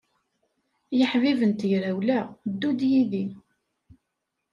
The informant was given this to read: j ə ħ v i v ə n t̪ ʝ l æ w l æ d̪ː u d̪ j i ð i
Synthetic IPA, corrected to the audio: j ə ħ v i v ə n t̪ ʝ ɾ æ w l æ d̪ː u d̪ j i ð i